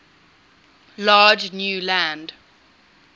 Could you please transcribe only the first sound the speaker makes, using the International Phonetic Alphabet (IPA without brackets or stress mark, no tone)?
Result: l